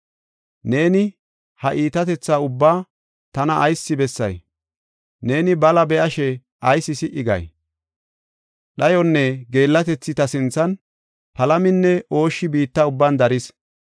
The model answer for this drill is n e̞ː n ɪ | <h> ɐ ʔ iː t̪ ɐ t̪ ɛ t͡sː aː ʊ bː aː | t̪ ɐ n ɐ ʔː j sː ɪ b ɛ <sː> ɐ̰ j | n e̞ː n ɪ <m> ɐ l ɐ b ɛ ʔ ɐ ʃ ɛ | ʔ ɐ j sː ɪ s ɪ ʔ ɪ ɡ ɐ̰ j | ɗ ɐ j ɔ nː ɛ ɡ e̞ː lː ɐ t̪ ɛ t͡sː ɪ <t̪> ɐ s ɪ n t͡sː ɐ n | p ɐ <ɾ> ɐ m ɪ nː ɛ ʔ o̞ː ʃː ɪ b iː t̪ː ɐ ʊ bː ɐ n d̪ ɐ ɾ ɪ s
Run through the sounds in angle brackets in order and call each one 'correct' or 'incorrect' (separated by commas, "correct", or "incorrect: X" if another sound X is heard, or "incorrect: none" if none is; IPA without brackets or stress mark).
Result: correct, correct, incorrect: b, correct, incorrect: l